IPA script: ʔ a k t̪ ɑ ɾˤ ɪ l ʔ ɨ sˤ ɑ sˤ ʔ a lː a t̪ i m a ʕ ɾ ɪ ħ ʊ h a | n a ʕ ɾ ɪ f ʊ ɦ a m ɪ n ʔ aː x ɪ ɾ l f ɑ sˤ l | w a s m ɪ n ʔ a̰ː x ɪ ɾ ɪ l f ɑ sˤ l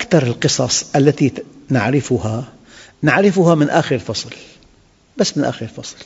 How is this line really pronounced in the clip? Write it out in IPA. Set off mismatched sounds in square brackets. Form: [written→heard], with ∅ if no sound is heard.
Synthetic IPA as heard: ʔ a k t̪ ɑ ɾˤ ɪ l [ʔ→q] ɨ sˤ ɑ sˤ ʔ a lː a t̪ i [m→n] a ʕ ɾ ɪ [ħ→f] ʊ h a | n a ʕ ɾ ɪ f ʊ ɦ a m ɪ n ʔ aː x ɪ ɾ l f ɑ sˤ l | [w→b] a [s→sː] m ɪ n ʔ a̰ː x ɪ ɾ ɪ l f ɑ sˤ l